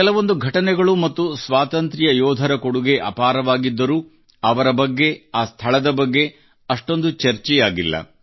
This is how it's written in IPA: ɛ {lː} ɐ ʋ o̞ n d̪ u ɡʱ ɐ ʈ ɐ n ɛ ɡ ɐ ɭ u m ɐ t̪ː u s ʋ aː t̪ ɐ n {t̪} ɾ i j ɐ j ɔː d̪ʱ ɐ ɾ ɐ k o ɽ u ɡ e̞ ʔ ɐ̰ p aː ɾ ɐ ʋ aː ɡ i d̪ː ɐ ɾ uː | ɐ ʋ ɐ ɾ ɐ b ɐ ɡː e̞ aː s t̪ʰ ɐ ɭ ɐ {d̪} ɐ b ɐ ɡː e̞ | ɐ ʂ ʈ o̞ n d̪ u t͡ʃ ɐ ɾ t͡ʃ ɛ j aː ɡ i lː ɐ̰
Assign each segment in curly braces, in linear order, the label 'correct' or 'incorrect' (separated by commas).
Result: incorrect, correct, correct